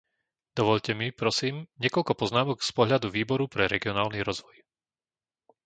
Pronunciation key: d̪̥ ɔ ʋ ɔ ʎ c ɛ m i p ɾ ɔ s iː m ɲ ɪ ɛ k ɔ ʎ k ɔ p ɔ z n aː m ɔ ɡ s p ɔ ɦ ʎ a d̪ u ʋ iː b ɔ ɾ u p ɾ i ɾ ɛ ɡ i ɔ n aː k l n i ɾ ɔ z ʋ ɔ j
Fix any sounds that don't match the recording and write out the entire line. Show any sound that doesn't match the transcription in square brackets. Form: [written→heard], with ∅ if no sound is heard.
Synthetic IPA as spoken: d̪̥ ɔ ʋ ɔ ʎ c ɛ m i p ɾ ɔ s iː m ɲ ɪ ɛ k ɔ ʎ k ɔ p ɔ z n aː m ɔ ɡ s p ɔ ɦ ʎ a d̪ u ʋ iː b ɔ ɾ u p ɾ [i→ɛ] ɾ ɛ ɡ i ɔ n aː [k→∅] l n i ɾ ɔ z ʋ ɔ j